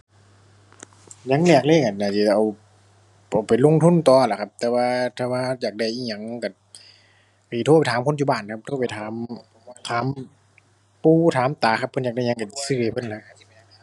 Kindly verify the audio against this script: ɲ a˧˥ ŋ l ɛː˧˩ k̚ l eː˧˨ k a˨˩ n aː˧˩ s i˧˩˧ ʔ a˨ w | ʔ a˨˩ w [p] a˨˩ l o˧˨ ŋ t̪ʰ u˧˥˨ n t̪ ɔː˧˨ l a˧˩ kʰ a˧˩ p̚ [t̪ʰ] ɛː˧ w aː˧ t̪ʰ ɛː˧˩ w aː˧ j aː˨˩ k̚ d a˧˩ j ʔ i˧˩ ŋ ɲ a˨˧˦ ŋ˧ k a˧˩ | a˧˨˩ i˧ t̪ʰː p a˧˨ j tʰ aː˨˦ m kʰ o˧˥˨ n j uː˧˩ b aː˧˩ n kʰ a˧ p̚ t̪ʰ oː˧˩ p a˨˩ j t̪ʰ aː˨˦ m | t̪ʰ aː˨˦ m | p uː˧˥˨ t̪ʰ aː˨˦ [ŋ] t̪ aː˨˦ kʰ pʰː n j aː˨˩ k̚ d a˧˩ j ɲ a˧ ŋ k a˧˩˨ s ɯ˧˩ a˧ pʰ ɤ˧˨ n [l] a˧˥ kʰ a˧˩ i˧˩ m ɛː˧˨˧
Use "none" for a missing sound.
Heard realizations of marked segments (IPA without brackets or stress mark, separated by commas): p, t̪, m, l